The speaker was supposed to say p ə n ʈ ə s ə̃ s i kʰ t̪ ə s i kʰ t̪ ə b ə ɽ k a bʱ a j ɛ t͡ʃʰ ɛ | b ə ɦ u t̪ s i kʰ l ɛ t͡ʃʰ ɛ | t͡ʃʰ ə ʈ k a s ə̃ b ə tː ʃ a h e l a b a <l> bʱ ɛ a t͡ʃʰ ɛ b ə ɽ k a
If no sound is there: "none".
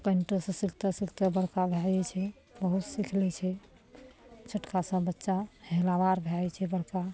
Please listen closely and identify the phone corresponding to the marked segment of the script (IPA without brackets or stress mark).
ɾ